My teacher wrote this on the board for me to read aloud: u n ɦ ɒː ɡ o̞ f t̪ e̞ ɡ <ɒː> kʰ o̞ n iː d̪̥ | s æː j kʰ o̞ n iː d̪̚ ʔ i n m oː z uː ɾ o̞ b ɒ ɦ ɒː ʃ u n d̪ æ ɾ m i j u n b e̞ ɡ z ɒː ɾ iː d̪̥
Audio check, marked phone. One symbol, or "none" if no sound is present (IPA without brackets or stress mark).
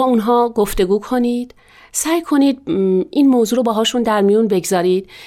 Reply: uː